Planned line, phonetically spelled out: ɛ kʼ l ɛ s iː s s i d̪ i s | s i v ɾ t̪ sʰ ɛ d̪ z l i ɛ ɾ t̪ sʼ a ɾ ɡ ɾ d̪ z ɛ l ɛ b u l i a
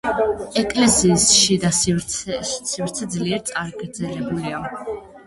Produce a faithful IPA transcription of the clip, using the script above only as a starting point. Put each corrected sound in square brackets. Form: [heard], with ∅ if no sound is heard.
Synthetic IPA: ɛ kʼ l ɛ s iː s [ʃ] i d̪ [a] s | s i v ɾ t̪ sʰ ɛ d̪ z l i ɛ ɾ t̪ sʼ a ɾ ɡ ɾ d̪ z ɛ l ɛ b u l i a